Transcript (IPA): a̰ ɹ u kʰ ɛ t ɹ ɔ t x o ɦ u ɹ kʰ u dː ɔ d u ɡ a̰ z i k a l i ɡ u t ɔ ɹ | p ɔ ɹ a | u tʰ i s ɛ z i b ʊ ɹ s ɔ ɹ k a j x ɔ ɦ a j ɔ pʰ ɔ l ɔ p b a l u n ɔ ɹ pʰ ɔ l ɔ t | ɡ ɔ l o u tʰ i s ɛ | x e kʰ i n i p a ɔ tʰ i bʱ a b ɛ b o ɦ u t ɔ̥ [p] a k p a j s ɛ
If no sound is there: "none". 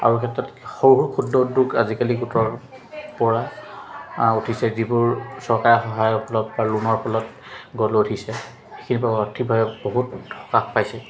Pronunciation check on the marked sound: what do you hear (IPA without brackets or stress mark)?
k